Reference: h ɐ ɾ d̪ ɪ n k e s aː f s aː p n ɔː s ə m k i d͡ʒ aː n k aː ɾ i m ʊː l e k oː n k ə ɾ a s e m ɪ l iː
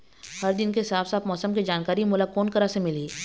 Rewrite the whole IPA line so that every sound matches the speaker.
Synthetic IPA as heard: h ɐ ɾ d̪ ɪ n k e s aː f s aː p m ɔː s ə m k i d͡ʒ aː n k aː ɾ i m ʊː l a k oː n k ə ɾ a s e m ɪ l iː